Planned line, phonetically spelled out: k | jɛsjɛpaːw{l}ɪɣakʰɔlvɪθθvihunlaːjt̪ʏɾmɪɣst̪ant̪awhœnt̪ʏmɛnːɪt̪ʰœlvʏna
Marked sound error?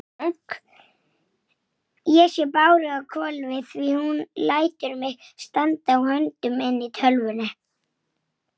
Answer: yes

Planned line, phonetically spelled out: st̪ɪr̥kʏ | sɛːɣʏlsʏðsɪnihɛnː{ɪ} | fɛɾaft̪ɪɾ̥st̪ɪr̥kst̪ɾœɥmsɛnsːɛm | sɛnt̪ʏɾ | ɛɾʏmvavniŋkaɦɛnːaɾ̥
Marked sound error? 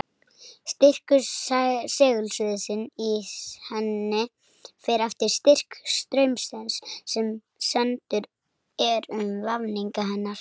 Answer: no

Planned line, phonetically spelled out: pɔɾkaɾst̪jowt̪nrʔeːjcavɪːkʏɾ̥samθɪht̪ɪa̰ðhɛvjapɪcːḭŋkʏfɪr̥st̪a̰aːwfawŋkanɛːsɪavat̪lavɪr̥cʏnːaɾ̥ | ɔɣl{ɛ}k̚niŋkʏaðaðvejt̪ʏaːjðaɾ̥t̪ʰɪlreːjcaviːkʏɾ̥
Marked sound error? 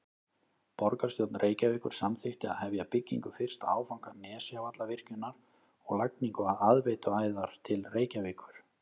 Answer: yes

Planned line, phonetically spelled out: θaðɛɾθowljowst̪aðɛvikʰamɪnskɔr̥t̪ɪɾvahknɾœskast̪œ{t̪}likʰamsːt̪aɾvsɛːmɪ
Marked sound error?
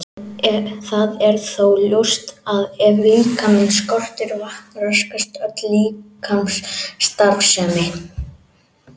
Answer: no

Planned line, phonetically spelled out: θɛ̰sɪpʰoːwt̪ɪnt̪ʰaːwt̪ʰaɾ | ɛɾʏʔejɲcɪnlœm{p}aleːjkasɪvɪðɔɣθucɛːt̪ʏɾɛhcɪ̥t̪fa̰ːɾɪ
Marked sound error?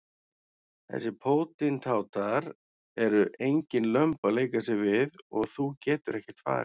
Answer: no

